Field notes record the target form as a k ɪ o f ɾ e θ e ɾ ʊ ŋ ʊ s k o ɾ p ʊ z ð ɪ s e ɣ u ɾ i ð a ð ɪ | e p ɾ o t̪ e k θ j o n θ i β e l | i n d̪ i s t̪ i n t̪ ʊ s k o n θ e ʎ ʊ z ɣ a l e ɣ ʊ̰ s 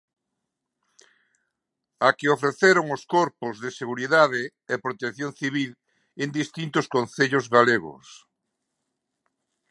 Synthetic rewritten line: a k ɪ o f ɾ e θ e ɾ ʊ ŋ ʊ s k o ɾ p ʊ z ð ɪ s e ɣ u ɾ i ð a ð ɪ | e p ɾ o t̪ e k θ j o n θ i β i l | e n d̪ i s t̪ i n t̪ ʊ s k o n θ e ʎ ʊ z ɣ a l e ɣ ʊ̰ s